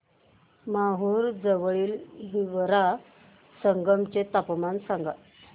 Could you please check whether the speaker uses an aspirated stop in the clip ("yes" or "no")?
no